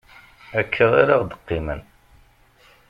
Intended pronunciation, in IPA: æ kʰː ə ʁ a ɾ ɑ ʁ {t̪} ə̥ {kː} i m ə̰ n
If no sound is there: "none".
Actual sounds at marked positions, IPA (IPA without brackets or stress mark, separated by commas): d̪, qː